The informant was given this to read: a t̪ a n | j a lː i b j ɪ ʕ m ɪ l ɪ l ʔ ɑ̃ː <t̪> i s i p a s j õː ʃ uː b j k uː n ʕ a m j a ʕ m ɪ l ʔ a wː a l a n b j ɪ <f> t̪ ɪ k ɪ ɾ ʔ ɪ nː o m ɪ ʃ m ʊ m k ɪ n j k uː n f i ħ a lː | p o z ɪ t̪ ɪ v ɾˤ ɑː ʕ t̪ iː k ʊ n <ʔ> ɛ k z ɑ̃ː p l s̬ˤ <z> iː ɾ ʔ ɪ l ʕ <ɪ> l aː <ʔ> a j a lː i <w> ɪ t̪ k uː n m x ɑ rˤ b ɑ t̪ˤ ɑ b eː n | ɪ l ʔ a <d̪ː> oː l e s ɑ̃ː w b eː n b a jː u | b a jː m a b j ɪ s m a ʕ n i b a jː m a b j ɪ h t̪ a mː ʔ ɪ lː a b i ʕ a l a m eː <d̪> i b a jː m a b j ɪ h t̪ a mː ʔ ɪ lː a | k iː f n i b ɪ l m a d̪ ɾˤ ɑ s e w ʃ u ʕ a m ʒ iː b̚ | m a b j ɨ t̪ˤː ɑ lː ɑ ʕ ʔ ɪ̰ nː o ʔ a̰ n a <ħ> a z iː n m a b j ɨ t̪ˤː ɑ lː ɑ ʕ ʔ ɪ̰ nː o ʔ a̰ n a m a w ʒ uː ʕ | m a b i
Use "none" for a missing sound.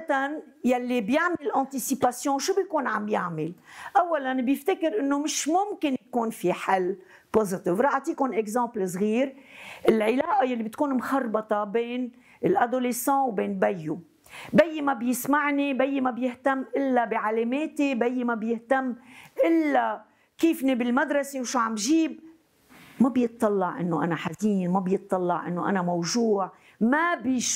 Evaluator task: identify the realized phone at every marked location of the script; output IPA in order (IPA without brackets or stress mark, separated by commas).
t̪, f, ʔ, ɣ, ɪ, ʔ, b, d̪, t̪, ħ